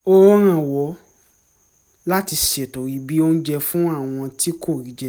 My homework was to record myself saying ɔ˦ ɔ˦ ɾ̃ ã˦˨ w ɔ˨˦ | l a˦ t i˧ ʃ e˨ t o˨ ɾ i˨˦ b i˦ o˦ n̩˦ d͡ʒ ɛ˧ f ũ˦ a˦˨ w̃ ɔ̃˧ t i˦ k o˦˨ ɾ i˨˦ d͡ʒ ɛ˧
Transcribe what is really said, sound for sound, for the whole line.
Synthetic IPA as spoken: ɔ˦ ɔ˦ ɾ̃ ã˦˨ w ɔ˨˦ | l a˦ t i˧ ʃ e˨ t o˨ ɾ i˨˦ b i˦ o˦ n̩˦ d͡ʒ ɛ˧ f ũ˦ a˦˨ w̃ ɔ̃˧ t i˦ k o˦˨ ɾ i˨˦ d͡ʒ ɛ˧